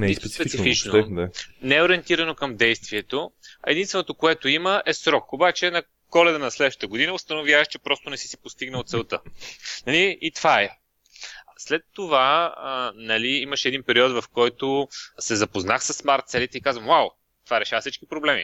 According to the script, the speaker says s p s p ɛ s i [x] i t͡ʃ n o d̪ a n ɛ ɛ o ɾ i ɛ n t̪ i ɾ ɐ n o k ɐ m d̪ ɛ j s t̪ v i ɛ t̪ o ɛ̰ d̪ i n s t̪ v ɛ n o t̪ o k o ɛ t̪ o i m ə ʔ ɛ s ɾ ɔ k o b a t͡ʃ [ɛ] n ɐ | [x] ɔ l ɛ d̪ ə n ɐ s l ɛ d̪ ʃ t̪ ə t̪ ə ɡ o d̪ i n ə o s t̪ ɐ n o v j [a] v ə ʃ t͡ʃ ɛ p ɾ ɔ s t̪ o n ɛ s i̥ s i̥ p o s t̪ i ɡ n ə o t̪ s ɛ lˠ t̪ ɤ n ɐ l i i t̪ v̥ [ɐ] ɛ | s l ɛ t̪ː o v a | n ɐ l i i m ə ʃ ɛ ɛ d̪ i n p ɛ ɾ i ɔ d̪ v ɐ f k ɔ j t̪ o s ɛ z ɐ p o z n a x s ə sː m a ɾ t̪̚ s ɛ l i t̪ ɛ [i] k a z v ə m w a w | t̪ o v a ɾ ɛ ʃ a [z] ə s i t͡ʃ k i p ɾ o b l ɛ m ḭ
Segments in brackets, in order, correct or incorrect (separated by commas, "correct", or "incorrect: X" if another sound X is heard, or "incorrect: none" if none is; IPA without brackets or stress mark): incorrect: f, correct, incorrect: k, correct, incorrect: a, correct, incorrect: v